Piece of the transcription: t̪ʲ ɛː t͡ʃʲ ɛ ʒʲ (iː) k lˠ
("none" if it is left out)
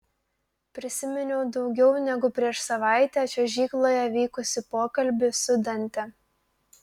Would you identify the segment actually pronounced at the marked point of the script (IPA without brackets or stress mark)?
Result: iː